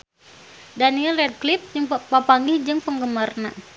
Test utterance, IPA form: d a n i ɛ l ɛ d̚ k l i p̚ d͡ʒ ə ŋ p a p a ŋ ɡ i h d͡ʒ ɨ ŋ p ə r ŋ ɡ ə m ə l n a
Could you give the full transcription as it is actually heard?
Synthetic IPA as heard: d a n i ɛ l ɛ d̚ k l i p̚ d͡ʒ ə ŋ p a p a ŋ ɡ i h d͡ʒ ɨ ŋ p ə ŋ ɡ ə m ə r n a